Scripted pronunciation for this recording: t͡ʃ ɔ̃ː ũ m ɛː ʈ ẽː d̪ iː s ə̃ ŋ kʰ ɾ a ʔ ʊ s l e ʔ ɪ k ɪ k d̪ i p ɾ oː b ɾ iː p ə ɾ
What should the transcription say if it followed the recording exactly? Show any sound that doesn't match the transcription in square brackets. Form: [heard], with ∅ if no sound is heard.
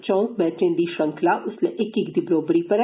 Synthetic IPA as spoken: t͡ʃ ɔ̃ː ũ m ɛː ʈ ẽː d̪ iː [ʃ] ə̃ ŋ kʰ [l] a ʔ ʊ s l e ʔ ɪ k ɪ k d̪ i [b] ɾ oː b ɾ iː p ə ɾ